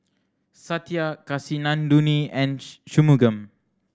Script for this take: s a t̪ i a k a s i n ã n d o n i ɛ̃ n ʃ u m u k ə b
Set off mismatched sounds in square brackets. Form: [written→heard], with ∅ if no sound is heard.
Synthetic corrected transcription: s a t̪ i a k a s i n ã n d [o→u] n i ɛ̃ n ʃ u m u [k→ɡ] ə [b→m]

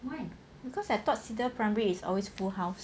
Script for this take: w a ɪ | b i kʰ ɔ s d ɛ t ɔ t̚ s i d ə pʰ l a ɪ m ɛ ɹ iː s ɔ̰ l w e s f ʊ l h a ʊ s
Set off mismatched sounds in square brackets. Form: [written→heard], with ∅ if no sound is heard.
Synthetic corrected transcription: w a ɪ | b i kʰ ɔ s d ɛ t ɔ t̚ s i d ə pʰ [l→ɹ] a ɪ m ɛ ɹ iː s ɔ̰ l w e s f [ʊ→u] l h a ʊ s

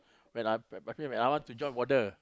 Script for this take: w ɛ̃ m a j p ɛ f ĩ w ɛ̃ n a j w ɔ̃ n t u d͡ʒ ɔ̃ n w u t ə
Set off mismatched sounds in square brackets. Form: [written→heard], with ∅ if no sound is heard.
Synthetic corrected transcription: w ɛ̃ [m→n] a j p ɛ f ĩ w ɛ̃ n a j w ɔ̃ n t u d͡ʒ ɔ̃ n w [u→ɔ] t ə

